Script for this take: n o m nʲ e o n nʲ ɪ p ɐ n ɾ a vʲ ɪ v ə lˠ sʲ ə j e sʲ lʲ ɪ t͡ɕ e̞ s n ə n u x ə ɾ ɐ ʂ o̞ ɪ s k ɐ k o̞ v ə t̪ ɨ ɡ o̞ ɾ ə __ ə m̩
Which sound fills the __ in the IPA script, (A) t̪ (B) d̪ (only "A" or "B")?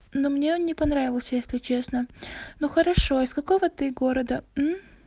B